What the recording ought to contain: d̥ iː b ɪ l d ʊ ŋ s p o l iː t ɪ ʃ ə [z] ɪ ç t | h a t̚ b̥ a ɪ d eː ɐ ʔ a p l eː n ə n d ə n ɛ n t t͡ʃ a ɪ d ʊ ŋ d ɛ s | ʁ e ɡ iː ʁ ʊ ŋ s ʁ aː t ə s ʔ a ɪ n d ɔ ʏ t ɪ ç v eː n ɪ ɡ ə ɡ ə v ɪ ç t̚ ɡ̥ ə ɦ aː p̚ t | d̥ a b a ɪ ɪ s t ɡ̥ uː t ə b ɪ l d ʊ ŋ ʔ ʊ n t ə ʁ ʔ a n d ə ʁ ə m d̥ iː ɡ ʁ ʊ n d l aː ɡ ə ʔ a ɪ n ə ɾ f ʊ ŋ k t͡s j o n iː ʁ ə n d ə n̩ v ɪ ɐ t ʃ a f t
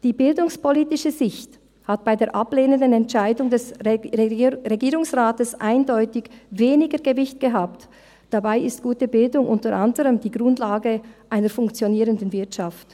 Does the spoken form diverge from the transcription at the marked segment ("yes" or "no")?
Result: no